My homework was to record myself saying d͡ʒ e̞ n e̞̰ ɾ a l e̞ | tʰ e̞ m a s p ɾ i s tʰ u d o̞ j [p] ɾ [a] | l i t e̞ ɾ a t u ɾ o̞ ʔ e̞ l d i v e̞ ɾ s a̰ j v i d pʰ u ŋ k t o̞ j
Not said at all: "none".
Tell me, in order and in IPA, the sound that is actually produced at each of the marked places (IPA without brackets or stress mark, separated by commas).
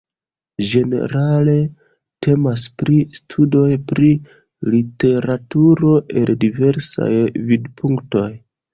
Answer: p, i